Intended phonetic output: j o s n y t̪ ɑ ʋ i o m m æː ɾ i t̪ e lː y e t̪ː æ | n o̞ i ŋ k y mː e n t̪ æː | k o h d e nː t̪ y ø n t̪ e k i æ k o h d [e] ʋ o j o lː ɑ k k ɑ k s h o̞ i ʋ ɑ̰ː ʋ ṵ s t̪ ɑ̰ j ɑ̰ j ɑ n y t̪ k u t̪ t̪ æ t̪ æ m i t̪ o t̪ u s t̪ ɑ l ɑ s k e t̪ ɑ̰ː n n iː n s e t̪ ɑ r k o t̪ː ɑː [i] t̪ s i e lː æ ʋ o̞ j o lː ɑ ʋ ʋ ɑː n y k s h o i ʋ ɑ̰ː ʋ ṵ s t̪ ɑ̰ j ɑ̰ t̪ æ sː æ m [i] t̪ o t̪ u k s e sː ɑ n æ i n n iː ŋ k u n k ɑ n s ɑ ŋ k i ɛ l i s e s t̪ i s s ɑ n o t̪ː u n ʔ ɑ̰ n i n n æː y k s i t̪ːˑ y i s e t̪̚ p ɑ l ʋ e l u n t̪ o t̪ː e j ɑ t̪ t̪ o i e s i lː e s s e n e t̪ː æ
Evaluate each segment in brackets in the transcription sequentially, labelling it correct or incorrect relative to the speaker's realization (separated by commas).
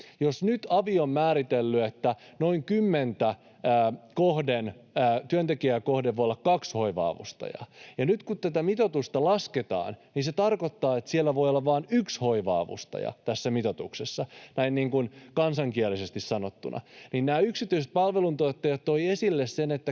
correct, incorrect, correct